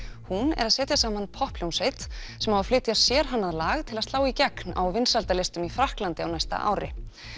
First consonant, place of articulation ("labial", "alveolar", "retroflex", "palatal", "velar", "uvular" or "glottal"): glottal